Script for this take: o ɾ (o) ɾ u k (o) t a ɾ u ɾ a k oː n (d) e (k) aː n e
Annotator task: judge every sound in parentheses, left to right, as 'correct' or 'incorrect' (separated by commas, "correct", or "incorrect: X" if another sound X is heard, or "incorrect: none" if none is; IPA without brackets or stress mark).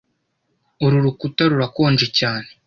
incorrect: u, incorrect: u, incorrect: d͡ʒ, incorrect: c